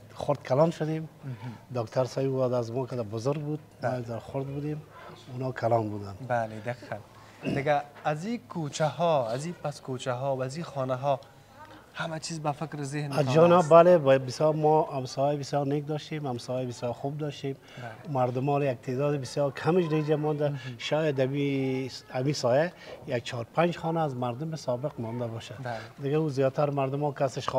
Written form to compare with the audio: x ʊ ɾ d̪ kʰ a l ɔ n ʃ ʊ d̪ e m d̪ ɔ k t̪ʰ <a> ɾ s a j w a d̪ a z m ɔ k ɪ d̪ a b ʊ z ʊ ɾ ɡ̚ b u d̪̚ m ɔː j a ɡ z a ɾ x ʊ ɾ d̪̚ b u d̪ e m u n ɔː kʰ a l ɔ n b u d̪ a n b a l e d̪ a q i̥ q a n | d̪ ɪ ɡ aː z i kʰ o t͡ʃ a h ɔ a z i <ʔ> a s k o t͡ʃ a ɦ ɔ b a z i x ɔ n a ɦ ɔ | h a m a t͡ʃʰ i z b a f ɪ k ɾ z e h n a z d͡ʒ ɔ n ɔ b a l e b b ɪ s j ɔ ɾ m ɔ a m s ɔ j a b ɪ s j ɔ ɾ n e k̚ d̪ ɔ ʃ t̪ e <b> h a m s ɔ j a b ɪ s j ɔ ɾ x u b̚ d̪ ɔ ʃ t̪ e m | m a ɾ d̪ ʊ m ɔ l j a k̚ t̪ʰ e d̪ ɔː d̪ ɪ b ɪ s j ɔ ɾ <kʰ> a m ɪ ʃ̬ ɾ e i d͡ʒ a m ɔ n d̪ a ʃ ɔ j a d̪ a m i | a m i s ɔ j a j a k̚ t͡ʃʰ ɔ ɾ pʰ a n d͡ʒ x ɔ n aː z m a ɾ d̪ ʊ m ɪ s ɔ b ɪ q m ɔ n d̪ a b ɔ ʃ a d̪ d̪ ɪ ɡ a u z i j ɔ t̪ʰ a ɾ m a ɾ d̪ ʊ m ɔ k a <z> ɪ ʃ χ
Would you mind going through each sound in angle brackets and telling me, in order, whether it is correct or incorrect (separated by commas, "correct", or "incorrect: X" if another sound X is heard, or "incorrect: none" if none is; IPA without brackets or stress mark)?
correct, incorrect: p, incorrect: m, correct, incorrect: s